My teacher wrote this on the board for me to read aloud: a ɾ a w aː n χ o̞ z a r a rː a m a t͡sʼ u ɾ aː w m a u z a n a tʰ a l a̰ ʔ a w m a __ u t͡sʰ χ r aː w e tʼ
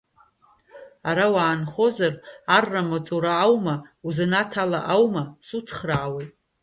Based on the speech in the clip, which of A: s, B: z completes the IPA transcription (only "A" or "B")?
A